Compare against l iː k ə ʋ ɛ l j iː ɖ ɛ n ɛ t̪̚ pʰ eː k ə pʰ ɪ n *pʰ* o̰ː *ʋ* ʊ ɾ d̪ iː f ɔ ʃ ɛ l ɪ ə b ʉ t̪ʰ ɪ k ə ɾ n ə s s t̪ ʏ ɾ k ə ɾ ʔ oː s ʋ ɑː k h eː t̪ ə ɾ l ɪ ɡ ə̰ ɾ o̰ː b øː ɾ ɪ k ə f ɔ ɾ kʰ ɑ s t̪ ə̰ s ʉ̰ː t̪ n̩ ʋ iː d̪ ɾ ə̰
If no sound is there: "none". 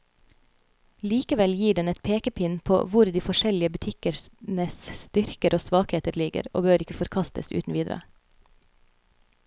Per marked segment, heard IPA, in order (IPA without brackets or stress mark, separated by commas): pʰ, ʋ